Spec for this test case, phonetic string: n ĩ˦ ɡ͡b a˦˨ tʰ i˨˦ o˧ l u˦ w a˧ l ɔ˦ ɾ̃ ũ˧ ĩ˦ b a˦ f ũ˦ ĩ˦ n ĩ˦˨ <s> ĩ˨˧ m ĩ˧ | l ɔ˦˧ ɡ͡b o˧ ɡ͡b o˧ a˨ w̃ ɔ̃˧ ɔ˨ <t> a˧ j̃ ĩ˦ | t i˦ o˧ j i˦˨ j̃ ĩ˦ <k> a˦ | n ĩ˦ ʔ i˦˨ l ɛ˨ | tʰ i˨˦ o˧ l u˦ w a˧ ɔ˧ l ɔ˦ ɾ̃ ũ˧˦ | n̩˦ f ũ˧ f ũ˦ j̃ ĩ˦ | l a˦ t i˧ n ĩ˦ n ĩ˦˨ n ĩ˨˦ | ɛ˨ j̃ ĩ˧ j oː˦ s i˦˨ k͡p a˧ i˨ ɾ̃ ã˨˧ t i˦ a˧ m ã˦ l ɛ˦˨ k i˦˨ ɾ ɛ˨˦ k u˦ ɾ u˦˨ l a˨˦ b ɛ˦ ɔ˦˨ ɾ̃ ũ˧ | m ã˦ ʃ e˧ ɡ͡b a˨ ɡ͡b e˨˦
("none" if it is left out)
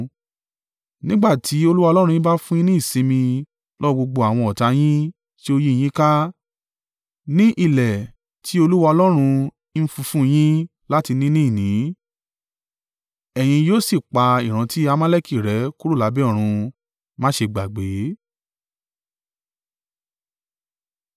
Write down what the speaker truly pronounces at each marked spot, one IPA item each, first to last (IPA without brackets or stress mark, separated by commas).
s, t, k